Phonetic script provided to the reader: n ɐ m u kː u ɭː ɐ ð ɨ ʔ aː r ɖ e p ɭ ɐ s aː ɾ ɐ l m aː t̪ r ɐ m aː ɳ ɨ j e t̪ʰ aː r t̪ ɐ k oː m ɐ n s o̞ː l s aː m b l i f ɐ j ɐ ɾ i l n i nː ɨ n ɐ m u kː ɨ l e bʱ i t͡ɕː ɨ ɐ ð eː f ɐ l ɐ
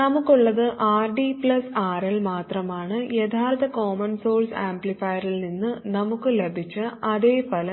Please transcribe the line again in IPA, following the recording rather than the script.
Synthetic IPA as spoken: n ɐ m u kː u ɭː ɐ ð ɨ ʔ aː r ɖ i p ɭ ɐ s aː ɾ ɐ l m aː t̪ r ɐ m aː ɳ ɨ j e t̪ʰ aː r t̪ ɐ k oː m ɐ n s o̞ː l s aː m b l i f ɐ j ɐ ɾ i l n i nː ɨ n ɐ m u kː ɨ l e bʱ i t͡ɕː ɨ ɐ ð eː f ɐ l ɐ